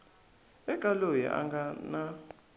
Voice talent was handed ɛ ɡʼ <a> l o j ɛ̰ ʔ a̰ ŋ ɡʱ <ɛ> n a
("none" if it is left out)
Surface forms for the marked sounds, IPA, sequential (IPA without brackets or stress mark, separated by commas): a, a